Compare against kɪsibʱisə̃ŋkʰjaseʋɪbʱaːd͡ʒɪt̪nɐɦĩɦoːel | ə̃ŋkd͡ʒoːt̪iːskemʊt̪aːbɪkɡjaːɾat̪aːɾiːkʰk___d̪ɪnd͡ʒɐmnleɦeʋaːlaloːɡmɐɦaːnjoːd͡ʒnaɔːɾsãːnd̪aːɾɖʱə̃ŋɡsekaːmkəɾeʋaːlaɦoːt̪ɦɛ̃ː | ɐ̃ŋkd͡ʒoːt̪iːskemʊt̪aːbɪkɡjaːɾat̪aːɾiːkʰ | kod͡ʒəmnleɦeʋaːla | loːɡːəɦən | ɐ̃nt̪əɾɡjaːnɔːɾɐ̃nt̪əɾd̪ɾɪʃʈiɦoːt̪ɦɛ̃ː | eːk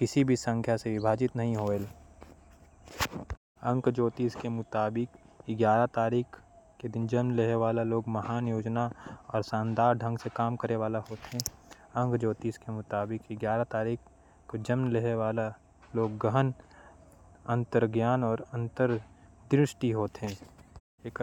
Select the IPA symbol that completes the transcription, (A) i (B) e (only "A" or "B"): B